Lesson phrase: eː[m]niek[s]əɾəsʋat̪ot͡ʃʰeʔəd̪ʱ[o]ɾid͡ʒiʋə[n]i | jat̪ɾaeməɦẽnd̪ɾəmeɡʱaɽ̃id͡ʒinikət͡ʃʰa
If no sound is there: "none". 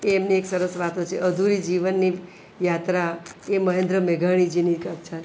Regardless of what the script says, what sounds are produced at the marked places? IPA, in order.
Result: m, s, u, nː

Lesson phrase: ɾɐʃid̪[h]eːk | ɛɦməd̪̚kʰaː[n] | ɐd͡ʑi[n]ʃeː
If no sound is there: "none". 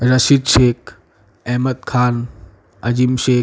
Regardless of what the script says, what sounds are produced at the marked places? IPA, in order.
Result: ʃ, n, m

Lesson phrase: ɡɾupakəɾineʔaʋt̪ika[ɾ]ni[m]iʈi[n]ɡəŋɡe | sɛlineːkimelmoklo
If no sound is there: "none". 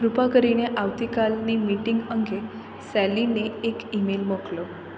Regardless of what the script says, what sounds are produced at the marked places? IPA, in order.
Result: l, m, ŋ

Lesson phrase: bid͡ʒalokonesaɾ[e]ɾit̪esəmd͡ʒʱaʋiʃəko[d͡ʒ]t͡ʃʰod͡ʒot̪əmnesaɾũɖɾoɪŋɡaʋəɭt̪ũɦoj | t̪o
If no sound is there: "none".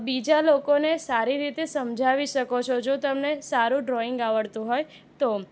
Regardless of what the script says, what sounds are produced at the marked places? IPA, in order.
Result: i, none

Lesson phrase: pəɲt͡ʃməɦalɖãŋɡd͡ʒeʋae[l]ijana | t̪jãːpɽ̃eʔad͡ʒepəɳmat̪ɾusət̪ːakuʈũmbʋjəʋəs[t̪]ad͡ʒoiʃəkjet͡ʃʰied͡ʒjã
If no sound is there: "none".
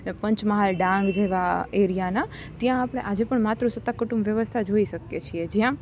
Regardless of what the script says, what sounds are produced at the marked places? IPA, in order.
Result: ɾ, t̪ʰ

